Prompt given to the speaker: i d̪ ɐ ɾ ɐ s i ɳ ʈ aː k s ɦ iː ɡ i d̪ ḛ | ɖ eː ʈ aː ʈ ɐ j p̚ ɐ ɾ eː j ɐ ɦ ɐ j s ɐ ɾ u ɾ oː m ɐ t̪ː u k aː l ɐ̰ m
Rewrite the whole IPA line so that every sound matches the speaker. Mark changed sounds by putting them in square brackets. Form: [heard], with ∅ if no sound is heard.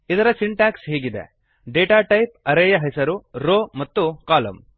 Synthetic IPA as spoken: i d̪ ɐ ɾ ɐ s i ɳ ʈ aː k s ɦ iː ɡ i d̪ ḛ | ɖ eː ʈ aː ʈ ɐ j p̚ ɐ ɾ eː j ɐ ɦ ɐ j s ɐ ɾ u ɾ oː m ɐ t̪ː u k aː l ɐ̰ m